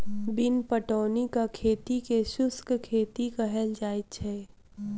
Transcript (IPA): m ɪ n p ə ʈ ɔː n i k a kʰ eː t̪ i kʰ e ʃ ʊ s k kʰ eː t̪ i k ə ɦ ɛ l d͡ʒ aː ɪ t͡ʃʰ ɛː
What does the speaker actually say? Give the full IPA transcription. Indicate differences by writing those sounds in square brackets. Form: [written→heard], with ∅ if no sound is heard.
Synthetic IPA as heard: [m→b] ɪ n p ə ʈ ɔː n i k a kʰ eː t̪ i [kʰ→k] e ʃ ʊ s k kʰ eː t̪ i k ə ɦ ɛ l d͡ʒ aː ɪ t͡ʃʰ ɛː